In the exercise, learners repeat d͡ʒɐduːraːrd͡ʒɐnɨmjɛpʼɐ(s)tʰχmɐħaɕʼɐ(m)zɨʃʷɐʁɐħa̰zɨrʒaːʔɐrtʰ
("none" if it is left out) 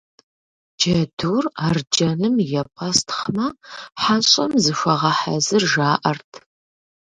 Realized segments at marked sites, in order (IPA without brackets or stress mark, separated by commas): s, m